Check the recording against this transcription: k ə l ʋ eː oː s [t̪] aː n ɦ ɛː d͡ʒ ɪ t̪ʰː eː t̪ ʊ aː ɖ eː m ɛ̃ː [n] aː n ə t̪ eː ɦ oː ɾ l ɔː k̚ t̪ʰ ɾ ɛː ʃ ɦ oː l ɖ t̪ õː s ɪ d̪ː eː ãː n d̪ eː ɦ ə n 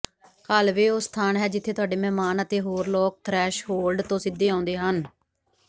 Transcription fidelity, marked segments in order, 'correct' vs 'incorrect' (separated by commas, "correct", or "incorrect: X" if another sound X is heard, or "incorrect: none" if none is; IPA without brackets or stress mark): incorrect: t̪ʰ, incorrect: m